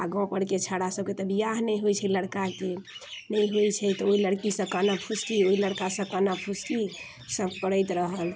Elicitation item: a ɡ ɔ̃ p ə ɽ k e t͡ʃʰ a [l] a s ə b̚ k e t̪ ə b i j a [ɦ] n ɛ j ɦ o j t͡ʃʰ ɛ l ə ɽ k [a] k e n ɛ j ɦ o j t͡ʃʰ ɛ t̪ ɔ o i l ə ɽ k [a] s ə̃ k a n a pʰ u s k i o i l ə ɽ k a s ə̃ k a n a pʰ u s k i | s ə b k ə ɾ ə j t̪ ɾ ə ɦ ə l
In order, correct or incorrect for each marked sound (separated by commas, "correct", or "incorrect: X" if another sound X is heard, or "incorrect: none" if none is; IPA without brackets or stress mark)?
incorrect: ɽ, correct, correct, incorrect: i